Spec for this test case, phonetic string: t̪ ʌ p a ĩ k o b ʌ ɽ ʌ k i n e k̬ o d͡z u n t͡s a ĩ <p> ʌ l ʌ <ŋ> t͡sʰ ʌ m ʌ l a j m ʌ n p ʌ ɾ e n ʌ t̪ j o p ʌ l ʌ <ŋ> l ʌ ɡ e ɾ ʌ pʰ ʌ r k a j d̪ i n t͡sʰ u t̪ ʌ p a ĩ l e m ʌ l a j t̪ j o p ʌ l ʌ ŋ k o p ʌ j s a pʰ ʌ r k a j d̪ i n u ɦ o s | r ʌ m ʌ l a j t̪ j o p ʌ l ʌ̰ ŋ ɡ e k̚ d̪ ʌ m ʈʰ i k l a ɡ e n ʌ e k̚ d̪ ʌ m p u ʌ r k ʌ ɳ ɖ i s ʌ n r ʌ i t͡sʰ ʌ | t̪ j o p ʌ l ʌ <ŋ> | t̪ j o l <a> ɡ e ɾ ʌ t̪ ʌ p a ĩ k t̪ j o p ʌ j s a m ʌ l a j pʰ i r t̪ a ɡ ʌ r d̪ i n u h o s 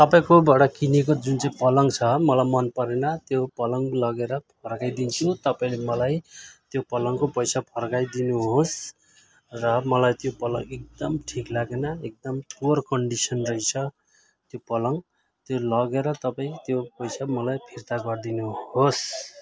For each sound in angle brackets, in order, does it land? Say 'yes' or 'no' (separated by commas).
yes, yes, yes, yes, no